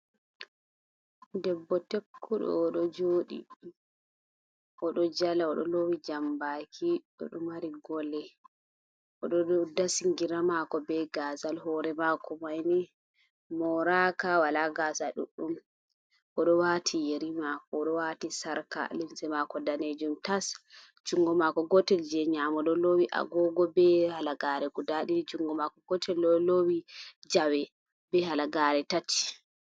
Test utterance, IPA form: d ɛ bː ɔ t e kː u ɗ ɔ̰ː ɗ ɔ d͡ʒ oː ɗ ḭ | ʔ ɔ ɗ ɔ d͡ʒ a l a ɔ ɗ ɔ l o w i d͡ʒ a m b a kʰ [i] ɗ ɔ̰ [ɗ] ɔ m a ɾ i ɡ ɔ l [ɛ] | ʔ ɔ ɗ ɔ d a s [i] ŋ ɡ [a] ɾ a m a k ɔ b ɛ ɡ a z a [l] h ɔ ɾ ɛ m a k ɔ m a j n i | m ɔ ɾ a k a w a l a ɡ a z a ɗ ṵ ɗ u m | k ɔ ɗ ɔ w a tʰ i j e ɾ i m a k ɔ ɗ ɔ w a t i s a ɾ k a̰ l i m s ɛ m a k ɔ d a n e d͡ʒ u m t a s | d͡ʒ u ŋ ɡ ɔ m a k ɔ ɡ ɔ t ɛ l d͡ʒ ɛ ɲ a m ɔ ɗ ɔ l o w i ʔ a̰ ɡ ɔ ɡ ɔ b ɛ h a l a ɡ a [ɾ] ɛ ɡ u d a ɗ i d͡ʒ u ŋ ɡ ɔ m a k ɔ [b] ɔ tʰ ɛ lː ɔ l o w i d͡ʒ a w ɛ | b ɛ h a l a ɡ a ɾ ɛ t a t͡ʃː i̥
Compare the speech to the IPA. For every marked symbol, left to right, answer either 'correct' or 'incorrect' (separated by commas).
correct, correct, correct, correct, incorrect, correct, correct, incorrect